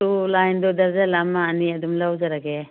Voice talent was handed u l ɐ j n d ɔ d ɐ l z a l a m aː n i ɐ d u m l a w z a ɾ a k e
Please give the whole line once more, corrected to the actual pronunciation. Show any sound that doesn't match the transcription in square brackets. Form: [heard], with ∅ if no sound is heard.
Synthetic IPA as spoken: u l [a] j n d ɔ d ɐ [ɾ] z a l a m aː n i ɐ d u m l a w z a ɾ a [ɡ] e